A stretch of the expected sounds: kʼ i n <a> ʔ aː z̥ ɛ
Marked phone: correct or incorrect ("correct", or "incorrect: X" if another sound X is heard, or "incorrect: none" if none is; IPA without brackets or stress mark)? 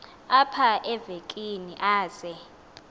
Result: incorrect: i